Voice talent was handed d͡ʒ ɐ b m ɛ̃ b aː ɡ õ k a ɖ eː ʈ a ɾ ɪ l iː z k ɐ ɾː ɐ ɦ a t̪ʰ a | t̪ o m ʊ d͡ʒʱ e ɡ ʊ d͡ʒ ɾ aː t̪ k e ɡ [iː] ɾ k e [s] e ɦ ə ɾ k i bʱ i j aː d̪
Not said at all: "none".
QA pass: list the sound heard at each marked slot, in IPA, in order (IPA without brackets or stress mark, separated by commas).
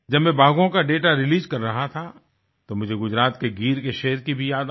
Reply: iː, ʃ